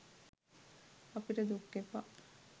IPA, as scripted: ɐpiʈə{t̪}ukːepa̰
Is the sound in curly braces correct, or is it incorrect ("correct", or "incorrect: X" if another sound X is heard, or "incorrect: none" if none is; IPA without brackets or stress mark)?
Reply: incorrect: d̪